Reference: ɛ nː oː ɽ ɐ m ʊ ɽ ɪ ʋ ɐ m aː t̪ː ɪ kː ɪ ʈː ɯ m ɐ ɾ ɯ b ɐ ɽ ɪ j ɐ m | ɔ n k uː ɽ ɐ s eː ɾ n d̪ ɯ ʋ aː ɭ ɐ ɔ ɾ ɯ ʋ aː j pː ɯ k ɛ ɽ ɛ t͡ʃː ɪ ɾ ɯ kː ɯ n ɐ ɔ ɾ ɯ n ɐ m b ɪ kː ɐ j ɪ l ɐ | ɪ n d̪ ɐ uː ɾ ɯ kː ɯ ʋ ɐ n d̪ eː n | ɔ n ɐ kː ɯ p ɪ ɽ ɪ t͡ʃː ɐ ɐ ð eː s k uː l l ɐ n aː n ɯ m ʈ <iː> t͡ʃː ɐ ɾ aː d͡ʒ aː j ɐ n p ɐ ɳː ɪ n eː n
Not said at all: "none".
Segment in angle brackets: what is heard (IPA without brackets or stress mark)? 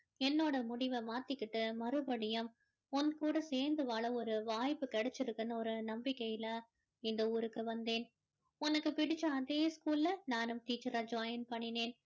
iː